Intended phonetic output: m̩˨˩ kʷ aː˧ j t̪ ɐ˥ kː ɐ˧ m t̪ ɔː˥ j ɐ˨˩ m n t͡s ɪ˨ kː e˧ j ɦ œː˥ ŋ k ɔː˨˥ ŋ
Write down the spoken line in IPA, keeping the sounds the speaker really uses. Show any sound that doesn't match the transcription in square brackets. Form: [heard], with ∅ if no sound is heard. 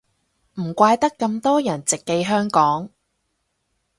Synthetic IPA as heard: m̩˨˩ kʷ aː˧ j t̪ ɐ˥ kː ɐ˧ m t̪ ɔː˥ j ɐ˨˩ [∅] n t͡s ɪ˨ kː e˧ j ɦ œː˥ ŋ k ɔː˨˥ ŋ